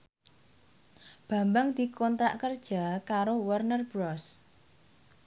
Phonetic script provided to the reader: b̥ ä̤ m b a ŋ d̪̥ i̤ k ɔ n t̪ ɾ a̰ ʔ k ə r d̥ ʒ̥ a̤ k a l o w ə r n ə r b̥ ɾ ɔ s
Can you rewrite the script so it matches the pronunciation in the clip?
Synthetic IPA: b̥ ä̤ m b a ŋ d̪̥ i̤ k ɔ n t̪ ɾ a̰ ʔ k ə r d̥ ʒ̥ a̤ k a ɾ o w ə r n ə r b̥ ɾ ɔ s